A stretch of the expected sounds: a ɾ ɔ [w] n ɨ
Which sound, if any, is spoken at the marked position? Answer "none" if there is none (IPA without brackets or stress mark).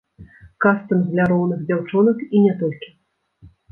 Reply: w